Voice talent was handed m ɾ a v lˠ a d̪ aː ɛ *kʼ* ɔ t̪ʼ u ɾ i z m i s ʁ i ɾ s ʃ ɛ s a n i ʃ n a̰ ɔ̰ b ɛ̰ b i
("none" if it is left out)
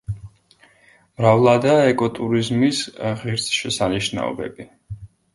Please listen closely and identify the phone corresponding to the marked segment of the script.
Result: kʼ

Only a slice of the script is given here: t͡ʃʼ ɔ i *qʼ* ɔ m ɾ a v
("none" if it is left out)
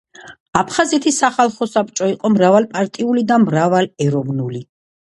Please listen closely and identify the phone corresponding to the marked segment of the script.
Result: qʼ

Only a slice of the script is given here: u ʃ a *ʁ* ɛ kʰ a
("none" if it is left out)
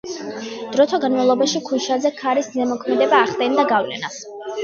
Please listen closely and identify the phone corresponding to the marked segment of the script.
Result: z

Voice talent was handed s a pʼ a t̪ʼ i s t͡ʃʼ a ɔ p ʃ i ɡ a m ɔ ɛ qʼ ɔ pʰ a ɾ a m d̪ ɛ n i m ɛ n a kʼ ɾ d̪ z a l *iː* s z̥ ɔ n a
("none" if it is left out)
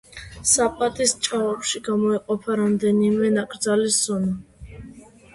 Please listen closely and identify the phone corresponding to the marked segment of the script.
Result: i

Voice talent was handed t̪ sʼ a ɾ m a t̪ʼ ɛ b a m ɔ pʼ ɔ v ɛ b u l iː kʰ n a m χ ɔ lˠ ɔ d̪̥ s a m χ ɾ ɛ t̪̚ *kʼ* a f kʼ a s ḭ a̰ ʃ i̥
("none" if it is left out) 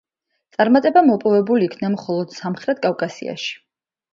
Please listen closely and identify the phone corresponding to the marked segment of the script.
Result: kʼ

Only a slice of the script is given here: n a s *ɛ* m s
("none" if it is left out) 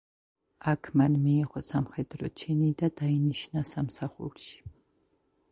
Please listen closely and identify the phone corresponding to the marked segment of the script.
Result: a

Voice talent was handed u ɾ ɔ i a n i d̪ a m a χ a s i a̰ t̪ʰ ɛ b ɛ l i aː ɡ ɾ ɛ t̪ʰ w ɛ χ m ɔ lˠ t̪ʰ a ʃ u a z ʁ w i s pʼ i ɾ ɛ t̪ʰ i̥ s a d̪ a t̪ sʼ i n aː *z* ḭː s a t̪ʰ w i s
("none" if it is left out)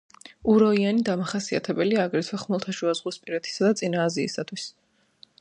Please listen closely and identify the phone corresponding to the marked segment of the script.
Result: z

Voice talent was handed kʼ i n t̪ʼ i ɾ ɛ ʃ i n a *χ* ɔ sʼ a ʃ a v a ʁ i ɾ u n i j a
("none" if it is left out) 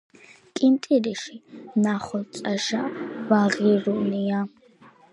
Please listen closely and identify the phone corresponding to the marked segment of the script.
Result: χ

